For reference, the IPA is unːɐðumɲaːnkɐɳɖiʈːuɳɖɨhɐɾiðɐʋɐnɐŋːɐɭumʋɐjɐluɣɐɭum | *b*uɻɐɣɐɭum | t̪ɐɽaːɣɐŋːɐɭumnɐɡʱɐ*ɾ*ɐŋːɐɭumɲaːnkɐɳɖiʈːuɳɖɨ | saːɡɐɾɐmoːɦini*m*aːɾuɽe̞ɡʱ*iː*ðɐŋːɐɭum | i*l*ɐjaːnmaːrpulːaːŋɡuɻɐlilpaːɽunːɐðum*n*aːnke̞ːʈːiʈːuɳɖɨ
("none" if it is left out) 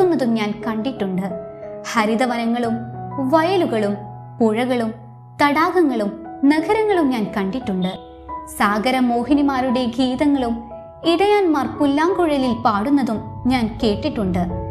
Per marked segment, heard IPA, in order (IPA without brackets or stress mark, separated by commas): p, ɾ, m, iː, ɽ, ɲ